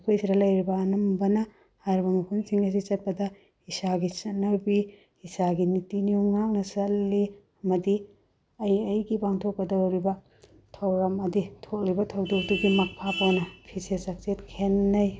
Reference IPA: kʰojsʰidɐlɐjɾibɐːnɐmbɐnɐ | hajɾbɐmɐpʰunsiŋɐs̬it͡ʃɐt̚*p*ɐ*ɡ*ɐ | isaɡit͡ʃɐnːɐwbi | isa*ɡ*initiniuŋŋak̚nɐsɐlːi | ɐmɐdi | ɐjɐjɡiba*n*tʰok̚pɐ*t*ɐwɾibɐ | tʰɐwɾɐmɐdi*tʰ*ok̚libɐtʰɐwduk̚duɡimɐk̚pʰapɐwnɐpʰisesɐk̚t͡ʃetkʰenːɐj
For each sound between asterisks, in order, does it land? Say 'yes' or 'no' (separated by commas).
yes, no, yes, no, no, yes